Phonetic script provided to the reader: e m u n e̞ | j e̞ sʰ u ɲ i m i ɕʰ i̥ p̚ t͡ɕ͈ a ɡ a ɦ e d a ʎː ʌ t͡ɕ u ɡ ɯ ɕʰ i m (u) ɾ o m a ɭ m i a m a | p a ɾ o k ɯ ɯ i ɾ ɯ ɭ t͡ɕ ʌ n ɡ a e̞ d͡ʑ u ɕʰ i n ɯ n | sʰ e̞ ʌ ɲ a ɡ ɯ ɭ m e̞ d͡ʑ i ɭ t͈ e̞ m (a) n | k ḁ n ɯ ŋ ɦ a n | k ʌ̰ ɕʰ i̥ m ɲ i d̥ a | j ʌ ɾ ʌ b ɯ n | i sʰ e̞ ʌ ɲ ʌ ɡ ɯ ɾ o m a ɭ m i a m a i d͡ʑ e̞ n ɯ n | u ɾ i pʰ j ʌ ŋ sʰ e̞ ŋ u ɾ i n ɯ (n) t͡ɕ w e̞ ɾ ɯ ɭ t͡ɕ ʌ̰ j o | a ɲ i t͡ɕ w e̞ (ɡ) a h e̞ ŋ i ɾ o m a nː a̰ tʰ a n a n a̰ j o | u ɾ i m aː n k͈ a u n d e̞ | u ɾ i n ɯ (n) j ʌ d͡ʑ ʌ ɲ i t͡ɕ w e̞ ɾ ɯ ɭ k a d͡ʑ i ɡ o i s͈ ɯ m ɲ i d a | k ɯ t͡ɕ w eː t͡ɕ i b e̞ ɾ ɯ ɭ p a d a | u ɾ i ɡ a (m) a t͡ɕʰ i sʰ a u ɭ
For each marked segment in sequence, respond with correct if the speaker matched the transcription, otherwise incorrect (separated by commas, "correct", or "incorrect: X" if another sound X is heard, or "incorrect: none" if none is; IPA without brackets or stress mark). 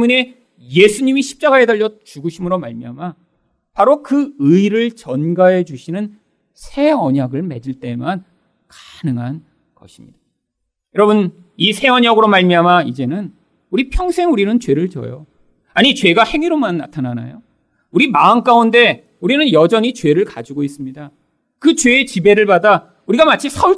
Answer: incorrect: ɯ, correct, correct, correct, correct, correct